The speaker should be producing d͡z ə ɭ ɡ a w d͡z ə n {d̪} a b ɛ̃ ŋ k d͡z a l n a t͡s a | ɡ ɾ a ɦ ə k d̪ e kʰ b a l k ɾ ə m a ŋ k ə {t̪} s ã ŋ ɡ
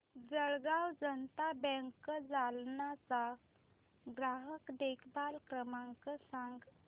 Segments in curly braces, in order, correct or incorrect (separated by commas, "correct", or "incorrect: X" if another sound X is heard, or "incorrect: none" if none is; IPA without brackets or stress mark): incorrect: t̪, incorrect: none